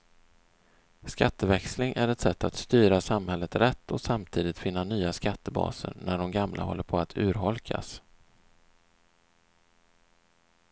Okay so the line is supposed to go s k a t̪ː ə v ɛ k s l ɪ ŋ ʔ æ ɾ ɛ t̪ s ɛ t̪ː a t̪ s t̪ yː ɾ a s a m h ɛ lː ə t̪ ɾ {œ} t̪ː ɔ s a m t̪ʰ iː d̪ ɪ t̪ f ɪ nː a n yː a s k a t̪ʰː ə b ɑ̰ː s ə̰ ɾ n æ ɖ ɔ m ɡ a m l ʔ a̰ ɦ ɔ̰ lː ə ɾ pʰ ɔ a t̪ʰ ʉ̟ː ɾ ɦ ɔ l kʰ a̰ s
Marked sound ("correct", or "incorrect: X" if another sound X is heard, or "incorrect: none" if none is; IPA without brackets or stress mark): incorrect: ɛ